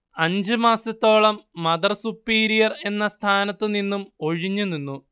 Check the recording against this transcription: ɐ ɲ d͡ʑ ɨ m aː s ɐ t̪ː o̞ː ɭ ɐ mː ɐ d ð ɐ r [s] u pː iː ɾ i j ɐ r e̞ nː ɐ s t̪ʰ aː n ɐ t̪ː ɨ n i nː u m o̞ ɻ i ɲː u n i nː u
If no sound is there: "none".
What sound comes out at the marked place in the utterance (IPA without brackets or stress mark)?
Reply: s